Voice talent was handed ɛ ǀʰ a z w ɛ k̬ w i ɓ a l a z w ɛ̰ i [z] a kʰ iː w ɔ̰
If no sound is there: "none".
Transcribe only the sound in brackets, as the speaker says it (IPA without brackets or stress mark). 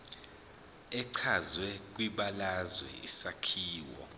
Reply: s